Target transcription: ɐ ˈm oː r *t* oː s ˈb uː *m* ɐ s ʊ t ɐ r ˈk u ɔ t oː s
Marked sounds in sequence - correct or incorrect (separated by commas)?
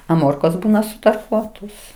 incorrect, incorrect